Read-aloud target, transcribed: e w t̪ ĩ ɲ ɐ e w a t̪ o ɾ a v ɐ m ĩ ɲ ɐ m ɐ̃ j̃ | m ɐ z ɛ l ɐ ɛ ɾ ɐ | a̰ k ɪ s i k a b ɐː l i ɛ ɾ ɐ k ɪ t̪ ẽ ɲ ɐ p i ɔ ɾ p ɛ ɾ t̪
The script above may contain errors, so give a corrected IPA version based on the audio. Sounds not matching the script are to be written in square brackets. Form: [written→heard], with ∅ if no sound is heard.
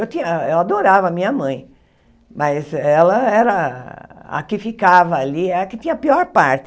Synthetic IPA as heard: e w t̪ ĩ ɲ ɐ e w a [t̪→d̪] o ɾ a v ɐ m ĩ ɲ ɐ m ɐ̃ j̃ | m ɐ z ɛ l ɐ ɛ ɾ ɐ | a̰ k ɪ [s→f] i k a [b→v] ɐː l i ɛ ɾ ɐ k ɪ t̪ [ẽ→ĩ] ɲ ɐ p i ɔ ɾ p [ɛ→a] ɾ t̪